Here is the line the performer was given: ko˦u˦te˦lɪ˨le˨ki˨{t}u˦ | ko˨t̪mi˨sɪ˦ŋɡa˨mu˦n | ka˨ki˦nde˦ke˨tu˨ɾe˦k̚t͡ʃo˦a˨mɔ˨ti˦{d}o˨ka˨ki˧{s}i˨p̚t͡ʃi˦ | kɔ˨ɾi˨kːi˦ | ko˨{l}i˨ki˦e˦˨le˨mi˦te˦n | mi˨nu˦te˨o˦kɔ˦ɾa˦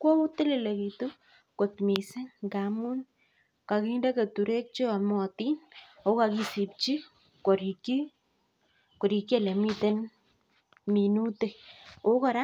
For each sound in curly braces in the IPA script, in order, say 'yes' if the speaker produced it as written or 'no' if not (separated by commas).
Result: yes, no, yes, no